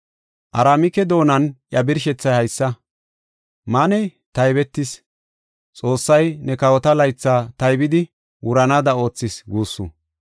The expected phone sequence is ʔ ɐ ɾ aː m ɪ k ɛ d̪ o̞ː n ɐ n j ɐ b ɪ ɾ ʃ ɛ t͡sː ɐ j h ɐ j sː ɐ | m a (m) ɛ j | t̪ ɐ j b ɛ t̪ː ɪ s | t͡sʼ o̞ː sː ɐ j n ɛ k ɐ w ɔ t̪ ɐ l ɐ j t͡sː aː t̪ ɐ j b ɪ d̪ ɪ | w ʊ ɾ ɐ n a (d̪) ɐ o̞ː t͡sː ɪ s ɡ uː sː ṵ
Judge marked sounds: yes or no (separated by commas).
no, yes